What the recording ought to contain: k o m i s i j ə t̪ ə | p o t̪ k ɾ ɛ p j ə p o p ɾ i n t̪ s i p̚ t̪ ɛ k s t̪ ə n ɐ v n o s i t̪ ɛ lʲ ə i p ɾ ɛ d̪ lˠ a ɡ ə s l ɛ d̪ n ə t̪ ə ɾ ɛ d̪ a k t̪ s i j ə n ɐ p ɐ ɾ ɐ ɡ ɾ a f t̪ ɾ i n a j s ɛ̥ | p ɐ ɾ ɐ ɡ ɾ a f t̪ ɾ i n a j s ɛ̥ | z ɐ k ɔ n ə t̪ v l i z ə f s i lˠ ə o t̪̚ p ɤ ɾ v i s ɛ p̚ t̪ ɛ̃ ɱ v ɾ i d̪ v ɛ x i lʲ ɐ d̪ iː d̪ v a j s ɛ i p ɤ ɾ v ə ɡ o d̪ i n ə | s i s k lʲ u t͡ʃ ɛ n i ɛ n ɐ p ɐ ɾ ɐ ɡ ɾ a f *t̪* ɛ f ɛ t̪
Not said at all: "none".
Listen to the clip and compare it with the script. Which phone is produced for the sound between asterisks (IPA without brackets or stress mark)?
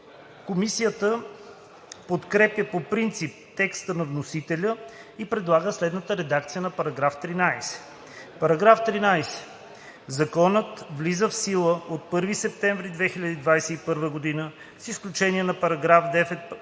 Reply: d̪